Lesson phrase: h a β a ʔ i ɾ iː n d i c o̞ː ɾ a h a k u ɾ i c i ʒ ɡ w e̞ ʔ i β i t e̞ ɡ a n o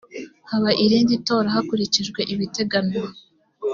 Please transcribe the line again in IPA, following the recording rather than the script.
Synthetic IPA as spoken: h a β a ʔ i ɾ iː n d i t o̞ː ɾ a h a k u ɾ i c i ʒ ɡ w e̞ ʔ i β i t e̞ ɡ a n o